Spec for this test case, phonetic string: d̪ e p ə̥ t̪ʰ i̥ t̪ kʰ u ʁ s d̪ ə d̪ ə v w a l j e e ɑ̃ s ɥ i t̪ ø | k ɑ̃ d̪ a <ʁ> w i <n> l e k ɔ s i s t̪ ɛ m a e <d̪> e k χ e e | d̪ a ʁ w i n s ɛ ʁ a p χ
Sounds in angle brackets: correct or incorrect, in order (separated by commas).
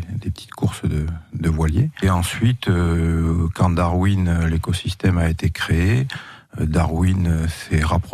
correct, correct, incorrect